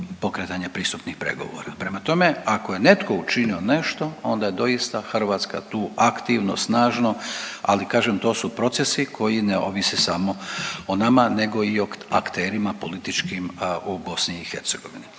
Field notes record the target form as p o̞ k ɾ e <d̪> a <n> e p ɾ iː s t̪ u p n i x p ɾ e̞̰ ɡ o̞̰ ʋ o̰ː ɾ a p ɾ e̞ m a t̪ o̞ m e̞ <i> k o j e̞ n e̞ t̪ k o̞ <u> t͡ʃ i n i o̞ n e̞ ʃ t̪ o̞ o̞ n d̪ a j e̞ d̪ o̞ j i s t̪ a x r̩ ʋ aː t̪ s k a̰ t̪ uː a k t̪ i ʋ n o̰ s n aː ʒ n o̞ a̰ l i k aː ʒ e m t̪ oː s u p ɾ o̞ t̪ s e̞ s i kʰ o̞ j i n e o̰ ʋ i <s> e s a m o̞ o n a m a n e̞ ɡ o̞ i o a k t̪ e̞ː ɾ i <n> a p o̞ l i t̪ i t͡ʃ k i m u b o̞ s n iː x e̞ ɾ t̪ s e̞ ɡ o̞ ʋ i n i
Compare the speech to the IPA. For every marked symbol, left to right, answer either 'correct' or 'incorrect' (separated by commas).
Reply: incorrect, incorrect, incorrect, correct, correct, incorrect